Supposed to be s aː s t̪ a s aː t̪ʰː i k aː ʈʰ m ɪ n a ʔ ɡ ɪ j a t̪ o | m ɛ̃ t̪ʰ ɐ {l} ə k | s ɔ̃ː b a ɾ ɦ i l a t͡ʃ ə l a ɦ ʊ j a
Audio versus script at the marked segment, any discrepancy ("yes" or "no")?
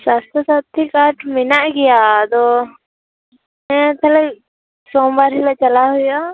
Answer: no